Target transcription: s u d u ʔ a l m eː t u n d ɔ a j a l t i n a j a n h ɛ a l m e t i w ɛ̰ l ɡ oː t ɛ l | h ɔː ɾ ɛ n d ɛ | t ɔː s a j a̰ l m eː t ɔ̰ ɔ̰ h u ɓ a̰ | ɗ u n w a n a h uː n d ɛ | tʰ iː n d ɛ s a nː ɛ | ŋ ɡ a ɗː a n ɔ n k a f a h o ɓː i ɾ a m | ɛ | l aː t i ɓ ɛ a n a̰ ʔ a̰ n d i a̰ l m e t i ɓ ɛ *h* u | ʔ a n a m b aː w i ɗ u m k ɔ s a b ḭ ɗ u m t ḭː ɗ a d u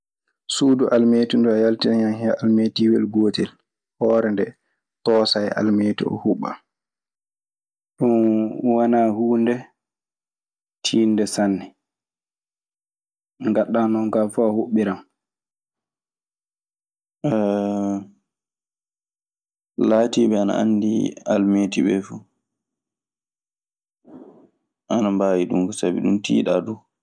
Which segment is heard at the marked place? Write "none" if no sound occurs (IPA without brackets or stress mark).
f